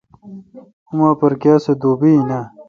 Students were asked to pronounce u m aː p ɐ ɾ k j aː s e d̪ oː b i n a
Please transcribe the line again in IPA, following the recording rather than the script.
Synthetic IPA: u m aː p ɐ ɾ k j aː s e d̪ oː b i n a